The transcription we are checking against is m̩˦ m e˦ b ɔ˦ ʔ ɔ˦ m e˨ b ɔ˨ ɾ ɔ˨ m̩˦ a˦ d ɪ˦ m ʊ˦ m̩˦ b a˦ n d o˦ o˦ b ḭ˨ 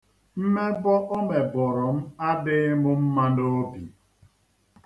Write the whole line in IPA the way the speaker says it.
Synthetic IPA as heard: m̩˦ m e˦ b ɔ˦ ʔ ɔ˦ m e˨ b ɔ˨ ɾ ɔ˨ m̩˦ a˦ d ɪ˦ m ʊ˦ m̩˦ m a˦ n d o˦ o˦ b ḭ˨